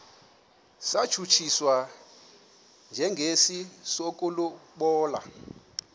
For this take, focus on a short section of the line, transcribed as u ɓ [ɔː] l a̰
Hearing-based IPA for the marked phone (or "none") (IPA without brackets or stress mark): ɔː